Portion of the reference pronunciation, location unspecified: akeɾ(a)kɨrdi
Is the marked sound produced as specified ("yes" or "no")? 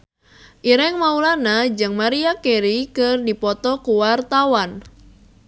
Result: no